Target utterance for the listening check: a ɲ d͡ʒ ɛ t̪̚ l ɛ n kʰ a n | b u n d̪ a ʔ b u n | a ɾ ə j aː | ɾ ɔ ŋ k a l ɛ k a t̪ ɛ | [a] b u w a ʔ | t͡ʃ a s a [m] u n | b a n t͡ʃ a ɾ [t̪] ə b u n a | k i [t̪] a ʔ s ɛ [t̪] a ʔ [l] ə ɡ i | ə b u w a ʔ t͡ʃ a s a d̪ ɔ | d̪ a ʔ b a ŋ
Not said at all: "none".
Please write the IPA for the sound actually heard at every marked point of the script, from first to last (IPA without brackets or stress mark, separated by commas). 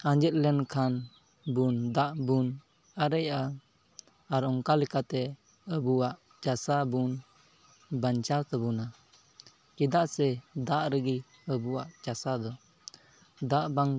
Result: ə, b, t̪, d̪, d̪, ɾ